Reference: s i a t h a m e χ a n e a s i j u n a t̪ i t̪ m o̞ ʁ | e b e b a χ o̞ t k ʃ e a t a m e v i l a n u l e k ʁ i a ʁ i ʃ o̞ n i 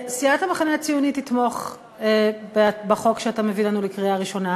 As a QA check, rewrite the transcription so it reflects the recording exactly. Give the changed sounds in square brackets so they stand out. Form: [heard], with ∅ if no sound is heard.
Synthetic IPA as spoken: s i a t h a m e χ a n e a [t͡s] i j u n [i] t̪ i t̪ m o̞ [χ] | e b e b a χ o̞ [∅] k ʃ e a t a m e v i l a n u l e k ʁ i a ʁ i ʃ o̞ n [a]